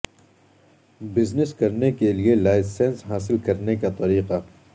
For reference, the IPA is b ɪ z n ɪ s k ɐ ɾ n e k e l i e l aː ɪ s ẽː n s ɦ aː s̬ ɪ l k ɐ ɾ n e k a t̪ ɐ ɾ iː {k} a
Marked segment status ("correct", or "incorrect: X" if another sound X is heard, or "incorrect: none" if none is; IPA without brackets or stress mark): incorrect: q